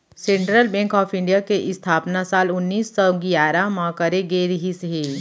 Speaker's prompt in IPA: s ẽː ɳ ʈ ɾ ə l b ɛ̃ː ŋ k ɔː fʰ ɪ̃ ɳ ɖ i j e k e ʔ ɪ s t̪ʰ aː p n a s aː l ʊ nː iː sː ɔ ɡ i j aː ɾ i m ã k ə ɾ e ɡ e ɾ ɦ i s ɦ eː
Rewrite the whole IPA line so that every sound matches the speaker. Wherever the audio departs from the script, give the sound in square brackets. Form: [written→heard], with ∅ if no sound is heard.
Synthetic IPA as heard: s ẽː ɳ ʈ ɾ ə l b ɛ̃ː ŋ k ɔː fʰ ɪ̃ ɳ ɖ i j [e→a] k e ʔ ɪ s t̪ʰ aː p n a s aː l ʊ nː iː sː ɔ ɡ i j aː ɾ [i→a] m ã k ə ɾ e ɡ e ɾ ɦ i s ɦ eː